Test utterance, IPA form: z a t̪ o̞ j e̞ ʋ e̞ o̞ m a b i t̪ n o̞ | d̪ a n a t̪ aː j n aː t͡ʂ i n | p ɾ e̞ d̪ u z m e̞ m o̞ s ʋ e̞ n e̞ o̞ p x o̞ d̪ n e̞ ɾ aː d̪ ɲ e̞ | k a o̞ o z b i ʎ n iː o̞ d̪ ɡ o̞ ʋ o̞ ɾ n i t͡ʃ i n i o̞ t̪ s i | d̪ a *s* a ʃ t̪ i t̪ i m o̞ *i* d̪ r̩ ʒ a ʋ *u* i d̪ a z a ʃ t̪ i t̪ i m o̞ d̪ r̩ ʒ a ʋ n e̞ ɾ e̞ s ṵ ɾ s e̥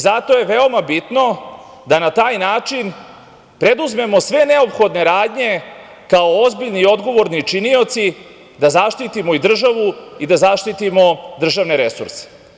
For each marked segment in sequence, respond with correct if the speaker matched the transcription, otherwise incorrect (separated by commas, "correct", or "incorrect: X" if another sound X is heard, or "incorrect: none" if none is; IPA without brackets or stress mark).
incorrect: z, correct, correct